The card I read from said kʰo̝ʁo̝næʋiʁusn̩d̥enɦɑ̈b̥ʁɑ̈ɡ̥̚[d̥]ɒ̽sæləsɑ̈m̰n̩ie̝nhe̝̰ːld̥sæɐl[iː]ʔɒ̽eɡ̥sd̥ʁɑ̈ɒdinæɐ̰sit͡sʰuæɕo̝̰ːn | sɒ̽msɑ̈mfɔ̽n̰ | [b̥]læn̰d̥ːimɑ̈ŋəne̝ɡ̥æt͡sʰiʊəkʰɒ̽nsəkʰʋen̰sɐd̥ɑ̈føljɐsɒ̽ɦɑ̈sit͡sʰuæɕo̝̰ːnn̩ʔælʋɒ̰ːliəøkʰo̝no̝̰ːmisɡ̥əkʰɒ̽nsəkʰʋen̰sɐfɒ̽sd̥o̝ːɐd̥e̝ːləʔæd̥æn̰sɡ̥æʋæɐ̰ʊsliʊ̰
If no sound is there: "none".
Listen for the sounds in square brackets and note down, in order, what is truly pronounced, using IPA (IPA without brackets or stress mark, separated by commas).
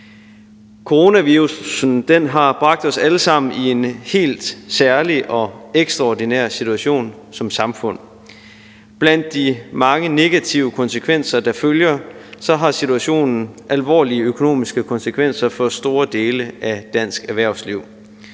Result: d̥, i, b̥